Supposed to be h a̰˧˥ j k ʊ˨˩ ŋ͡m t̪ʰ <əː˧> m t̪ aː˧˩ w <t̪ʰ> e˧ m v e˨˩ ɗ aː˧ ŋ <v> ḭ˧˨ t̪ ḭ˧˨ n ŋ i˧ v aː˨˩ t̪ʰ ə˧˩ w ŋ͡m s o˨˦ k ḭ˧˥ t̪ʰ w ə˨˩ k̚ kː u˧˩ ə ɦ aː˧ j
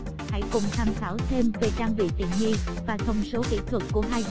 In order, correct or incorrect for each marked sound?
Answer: incorrect: aː˧, correct, correct

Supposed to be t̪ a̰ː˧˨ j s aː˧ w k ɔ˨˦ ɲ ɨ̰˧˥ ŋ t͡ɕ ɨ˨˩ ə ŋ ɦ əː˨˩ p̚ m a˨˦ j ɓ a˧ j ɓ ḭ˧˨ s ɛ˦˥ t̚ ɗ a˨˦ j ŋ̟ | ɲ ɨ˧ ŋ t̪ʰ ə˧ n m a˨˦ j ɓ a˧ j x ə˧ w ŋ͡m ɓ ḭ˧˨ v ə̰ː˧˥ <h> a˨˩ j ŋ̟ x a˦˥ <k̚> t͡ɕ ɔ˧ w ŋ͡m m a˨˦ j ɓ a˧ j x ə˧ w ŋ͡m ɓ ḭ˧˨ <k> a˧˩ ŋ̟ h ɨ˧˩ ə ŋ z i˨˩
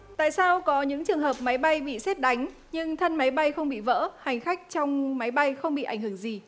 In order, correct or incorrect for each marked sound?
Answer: correct, correct, incorrect: ʔ

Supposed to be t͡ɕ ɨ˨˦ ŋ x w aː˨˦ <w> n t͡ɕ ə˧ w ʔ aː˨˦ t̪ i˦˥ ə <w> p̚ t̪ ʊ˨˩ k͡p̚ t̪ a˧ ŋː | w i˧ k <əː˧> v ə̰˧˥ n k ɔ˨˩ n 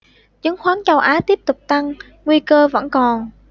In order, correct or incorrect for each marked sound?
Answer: incorrect: none, incorrect: none, correct

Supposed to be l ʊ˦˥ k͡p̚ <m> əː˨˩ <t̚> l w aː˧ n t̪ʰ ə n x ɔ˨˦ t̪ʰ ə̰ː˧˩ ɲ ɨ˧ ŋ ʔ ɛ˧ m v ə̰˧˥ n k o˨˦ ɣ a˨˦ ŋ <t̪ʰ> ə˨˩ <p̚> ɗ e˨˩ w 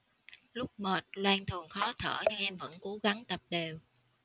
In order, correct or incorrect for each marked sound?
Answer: correct, correct, incorrect: t̪, correct

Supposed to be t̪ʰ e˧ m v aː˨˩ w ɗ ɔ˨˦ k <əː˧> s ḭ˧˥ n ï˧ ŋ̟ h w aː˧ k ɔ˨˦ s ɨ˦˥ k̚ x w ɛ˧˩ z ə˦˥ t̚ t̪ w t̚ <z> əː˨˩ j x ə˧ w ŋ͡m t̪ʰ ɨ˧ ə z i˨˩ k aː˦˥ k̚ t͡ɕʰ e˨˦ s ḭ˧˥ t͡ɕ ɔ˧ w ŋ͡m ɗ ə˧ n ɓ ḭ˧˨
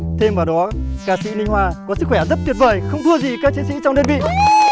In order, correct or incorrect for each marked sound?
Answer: incorrect: aː˧, incorrect: v

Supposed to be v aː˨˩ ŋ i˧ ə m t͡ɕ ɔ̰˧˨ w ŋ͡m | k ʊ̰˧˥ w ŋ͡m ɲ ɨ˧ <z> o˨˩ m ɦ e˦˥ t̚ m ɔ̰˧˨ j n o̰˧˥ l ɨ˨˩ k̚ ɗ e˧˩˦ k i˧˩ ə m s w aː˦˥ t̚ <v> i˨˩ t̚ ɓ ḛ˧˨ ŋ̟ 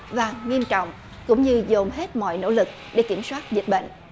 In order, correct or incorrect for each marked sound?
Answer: correct, incorrect: z

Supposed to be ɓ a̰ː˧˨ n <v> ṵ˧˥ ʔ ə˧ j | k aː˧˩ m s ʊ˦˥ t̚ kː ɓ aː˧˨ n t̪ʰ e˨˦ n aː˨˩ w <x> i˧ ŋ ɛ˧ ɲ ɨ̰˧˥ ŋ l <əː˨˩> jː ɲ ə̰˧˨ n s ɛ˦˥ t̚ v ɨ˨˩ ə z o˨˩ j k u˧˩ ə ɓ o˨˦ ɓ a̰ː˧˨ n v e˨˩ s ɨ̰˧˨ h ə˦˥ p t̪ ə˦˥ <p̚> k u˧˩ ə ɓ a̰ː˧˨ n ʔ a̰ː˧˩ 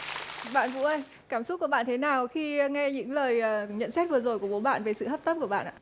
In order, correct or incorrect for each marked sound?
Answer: correct, correct, correct, correct

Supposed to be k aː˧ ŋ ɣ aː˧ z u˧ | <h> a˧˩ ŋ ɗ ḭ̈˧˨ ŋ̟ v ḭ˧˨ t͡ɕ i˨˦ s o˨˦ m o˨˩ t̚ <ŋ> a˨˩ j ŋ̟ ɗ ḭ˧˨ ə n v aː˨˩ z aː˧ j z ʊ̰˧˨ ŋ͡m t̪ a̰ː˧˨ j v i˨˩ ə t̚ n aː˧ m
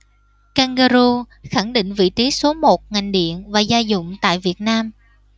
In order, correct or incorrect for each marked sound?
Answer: incorrect: x, correct

